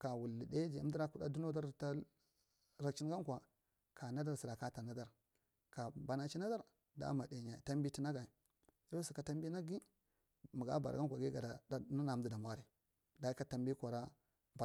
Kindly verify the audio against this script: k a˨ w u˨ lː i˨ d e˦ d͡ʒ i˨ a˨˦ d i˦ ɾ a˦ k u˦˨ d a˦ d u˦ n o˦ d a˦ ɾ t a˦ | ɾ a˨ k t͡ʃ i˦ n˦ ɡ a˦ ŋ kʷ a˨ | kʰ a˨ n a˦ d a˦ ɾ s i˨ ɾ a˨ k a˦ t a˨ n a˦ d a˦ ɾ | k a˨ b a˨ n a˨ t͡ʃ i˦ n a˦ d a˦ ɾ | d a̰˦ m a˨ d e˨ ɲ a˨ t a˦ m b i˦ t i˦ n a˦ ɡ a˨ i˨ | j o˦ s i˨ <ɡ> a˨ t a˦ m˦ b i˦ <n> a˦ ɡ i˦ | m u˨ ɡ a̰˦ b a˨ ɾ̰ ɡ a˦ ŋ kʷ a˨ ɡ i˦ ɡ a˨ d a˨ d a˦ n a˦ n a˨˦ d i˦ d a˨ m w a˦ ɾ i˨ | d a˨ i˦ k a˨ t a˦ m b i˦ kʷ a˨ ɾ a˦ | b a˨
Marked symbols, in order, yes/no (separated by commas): no, yes